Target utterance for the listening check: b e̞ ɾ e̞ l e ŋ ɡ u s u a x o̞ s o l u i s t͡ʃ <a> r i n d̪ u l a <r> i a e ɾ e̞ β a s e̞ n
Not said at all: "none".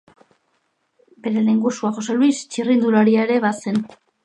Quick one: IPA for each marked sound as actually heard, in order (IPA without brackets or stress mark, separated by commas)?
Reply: i, ɾ